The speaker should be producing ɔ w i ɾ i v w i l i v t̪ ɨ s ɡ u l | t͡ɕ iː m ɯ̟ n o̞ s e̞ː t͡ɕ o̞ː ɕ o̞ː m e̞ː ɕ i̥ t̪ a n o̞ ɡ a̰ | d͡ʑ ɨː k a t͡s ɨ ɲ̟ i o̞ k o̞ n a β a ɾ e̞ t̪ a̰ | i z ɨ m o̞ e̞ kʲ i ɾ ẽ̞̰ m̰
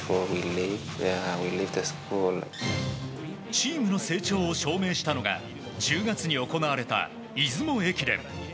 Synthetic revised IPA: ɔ w i l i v w i l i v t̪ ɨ s k u l | t͡ɕ iː m ɯ̟ n o̞ s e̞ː t͡ɕ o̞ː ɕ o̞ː m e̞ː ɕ i̥ t̪ a n o̞ ɡ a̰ | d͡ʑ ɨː ɡ a t͡s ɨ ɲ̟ i o̞ k o̞ n a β a ɾ e̞ t̪ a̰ | i z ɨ m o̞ e̞ kʲ i ɾ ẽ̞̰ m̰